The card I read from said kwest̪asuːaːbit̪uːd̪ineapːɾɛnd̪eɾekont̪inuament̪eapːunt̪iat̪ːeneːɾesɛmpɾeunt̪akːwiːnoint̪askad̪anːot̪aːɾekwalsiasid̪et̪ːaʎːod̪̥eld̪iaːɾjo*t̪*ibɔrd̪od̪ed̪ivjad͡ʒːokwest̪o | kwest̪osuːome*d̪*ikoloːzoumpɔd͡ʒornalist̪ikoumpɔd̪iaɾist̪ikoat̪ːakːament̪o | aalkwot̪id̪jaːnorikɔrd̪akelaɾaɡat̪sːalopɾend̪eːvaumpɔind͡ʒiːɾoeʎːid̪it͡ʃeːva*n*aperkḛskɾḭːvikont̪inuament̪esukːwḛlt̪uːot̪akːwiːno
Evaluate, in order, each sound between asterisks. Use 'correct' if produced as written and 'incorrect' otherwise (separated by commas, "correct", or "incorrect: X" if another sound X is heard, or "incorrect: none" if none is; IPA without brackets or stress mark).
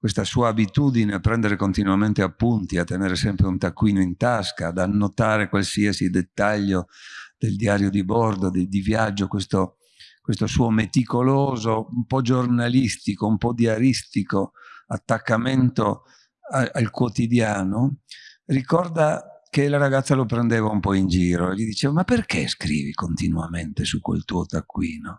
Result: incorrect: d̪, incorrect: t̪, incorrect: m